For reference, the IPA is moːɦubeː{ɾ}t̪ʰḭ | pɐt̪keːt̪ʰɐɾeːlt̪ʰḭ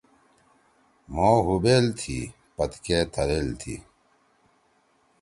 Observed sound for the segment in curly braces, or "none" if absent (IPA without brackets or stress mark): l